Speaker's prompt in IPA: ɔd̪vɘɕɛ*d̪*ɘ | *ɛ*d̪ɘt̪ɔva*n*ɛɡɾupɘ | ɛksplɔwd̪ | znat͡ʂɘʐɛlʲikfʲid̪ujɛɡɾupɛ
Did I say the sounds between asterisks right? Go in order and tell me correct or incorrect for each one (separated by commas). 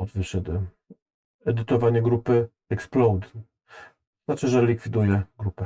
correct, correct, incorrect